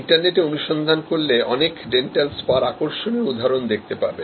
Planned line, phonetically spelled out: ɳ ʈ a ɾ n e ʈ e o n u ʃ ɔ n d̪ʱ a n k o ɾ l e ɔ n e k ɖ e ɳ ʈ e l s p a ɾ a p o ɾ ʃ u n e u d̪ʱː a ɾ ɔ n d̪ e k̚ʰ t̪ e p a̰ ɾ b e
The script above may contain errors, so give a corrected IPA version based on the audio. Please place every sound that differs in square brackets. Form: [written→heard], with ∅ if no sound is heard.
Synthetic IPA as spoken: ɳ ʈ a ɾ n e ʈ e o n u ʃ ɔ n d̪ʱ a n k o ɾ l e ɔ n e k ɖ e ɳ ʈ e l s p a ɾ a [p→k] o ɾ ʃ [u→o] n e u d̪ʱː a ɾ [ɔ→o] n d̪ e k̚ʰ t̪ e p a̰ ɾ b e